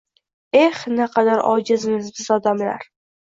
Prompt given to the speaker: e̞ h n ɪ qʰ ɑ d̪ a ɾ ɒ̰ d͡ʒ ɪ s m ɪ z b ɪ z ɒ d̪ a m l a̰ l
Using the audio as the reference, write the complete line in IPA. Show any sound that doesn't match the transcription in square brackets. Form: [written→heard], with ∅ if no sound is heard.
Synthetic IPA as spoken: e̞ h n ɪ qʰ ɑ d̪ a ɾ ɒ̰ d͡ʒ ɪ [s→z] m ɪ z b ɪ z ɒ d̪ a m l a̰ [l→ɾ]